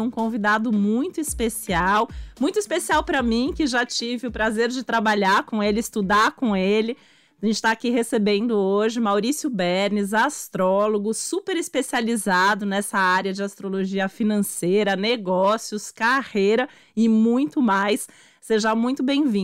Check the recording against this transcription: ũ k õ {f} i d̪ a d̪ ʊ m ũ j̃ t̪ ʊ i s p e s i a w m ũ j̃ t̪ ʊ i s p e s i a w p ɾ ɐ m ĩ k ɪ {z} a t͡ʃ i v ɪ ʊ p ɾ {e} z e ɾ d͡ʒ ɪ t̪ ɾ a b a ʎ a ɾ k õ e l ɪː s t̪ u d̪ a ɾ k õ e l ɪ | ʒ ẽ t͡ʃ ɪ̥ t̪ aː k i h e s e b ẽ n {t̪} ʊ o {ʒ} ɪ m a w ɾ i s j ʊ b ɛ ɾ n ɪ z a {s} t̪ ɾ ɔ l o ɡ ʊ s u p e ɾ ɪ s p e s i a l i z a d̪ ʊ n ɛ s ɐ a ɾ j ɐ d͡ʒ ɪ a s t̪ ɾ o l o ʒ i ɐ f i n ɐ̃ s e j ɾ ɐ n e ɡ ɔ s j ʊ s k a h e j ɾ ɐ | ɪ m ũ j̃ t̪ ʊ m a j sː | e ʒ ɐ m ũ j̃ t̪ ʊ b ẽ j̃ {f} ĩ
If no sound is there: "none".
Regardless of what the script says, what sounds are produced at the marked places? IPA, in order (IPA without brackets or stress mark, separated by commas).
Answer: v, ʒ, a, d̪, ʒ, s, v